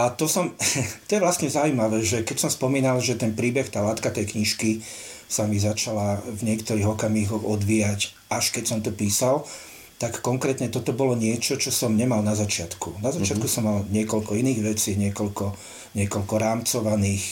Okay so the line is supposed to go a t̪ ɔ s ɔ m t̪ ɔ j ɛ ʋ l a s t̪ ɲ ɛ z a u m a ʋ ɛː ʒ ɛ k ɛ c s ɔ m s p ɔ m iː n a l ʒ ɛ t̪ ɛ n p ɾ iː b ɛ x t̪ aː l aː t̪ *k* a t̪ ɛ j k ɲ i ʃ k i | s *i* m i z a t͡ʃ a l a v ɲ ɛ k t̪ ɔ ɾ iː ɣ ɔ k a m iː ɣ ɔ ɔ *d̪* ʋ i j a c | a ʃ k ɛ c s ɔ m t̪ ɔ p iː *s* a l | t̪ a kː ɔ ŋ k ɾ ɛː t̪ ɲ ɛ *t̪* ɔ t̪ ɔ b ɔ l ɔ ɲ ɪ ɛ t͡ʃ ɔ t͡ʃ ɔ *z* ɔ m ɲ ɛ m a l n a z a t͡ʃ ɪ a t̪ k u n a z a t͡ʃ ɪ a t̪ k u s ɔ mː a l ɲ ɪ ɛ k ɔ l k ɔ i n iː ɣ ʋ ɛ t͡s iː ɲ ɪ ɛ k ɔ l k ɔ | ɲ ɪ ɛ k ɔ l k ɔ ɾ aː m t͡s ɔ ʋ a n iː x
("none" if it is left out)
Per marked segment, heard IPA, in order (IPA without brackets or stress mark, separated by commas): k, a, d̪, s, t̪, s